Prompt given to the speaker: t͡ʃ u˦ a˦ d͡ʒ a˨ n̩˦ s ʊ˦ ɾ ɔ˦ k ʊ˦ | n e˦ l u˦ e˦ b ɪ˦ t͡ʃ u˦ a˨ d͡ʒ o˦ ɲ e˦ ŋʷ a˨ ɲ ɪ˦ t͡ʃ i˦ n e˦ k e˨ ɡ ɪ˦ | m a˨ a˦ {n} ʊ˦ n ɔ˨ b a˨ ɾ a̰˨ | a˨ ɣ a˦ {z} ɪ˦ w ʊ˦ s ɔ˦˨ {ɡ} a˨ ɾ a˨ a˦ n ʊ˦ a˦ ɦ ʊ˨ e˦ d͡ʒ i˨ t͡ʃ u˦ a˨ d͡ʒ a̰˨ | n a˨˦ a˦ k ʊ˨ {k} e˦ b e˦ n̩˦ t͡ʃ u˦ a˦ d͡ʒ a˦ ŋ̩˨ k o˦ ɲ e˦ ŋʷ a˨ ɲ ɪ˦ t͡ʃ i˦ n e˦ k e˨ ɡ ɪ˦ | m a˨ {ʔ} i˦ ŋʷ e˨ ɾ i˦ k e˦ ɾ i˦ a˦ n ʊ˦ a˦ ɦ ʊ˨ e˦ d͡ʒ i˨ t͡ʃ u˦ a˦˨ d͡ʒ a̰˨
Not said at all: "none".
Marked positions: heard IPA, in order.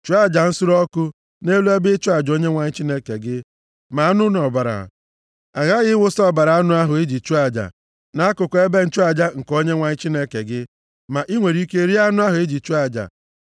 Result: n, ɣ, b, k, ʔ

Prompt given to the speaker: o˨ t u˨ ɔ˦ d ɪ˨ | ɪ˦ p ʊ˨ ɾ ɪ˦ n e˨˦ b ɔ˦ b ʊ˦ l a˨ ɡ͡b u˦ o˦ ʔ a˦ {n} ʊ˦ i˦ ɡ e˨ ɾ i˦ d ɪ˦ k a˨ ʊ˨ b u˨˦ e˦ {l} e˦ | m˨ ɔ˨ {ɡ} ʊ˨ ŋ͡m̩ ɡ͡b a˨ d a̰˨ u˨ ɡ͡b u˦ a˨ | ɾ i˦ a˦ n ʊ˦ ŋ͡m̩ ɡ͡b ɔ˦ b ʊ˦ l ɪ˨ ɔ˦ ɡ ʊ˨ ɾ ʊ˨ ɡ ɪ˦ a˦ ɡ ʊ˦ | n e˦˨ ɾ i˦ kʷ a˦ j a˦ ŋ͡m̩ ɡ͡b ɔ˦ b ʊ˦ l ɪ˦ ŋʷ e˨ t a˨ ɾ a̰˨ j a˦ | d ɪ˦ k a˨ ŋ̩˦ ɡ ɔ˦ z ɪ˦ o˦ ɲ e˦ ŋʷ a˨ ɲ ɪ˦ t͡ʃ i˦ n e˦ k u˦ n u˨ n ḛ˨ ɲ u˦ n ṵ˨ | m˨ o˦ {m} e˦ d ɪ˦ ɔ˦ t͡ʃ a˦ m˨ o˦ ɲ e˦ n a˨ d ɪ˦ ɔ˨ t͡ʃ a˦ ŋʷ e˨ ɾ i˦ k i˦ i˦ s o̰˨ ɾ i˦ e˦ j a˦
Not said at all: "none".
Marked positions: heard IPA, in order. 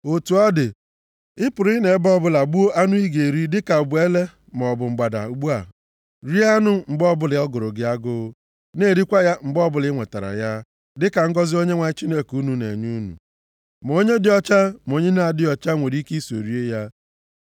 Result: n, l, b, ɲ

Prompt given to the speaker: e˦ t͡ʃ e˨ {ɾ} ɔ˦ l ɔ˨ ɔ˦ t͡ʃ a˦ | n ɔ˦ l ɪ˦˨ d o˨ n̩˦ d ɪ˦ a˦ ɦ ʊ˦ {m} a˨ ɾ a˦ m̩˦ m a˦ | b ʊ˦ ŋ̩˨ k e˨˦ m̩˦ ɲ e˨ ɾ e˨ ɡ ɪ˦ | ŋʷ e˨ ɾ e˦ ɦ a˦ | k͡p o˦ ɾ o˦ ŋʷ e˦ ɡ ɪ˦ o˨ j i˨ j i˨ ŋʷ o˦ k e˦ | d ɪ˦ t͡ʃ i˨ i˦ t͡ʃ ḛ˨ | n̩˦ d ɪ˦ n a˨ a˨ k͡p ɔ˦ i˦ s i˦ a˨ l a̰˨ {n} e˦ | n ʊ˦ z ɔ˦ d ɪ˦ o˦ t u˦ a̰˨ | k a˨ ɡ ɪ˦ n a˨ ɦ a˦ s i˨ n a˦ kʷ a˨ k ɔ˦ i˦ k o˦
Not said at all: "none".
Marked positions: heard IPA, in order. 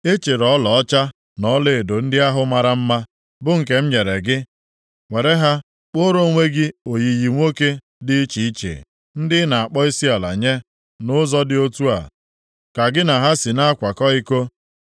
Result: ɾ, m, ɲ

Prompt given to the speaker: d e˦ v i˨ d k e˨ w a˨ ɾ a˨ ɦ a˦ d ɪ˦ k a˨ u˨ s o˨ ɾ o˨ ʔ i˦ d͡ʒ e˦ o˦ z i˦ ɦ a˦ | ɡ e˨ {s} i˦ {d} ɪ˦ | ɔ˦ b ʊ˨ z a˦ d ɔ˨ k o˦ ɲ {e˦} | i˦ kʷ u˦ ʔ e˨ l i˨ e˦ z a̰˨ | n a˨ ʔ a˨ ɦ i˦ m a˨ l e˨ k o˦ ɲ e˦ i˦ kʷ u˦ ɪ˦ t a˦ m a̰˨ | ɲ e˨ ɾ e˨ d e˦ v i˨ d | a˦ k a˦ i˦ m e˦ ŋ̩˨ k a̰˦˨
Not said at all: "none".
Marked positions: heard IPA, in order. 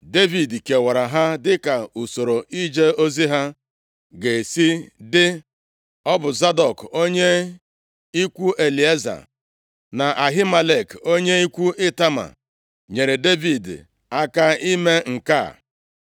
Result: s, d, e˦

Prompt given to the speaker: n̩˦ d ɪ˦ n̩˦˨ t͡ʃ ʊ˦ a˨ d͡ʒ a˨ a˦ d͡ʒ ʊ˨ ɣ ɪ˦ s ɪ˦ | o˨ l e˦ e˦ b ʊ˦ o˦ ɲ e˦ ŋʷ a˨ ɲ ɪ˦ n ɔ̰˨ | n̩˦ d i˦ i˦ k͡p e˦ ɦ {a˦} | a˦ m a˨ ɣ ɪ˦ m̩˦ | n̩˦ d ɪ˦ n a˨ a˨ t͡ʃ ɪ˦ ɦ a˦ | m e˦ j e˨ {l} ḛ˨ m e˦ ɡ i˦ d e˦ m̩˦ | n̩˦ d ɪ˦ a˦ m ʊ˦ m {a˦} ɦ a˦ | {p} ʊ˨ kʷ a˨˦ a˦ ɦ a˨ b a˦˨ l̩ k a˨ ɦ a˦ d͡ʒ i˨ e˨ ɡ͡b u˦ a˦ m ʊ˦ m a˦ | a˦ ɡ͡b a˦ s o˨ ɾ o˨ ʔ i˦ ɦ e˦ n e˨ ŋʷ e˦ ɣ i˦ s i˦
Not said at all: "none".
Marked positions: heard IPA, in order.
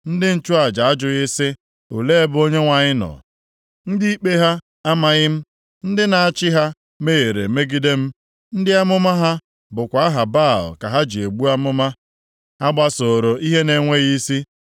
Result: a˦, ɾ, a˦, b

